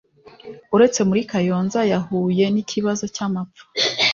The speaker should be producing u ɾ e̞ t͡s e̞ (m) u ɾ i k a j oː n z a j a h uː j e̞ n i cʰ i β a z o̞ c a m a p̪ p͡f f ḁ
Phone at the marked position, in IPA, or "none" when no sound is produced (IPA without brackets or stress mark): m